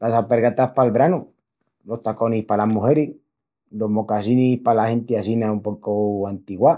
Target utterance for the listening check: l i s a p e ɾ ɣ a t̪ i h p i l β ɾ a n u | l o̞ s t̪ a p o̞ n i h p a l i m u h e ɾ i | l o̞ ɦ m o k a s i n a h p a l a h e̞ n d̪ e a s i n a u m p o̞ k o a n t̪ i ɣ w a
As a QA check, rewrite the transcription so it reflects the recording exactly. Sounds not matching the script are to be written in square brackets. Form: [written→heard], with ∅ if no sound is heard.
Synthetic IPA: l [i→a] s a p e ɾ ɣ a t̪ [i→a] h p [i→a] l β ɾ a n u | l o̞ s t̪ a [p→k] o̞ n i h p a l [i→a] m u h e ɾ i | l o̞ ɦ m o k a s i n [a→i] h p a l a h e̞ n [d̪→t̪] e a s i n a u m p o̞ k o a n t̪ i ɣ w a